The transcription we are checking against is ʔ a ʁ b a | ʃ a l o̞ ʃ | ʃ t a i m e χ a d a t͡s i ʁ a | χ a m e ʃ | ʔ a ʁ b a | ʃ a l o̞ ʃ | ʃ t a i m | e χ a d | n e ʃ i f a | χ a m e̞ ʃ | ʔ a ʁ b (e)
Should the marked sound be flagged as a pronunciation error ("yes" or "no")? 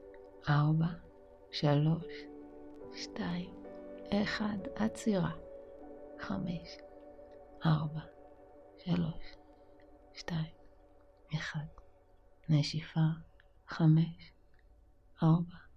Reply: yes